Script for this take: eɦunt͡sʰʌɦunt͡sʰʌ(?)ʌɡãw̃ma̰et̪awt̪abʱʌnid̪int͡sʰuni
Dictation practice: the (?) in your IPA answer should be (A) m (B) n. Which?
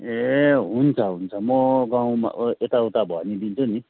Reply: A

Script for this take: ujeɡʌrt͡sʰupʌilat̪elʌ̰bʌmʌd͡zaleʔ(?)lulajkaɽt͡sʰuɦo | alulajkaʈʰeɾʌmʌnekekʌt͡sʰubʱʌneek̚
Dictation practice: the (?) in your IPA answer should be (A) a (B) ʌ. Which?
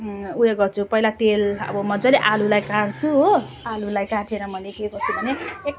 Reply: A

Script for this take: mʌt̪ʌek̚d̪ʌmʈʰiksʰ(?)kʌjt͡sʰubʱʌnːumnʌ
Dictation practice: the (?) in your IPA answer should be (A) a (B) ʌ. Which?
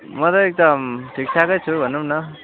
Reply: A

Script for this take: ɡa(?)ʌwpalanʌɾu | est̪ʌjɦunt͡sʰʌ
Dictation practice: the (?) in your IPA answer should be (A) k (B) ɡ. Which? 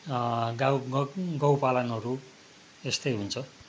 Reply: B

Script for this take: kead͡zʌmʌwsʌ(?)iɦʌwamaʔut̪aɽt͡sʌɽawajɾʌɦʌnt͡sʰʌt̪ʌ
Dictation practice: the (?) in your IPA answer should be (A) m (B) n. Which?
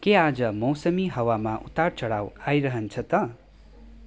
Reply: A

